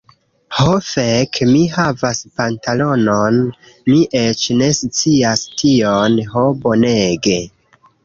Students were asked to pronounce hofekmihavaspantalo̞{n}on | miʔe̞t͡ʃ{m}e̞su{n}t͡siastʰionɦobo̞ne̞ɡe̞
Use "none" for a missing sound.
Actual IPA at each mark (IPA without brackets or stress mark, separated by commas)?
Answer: n, n, none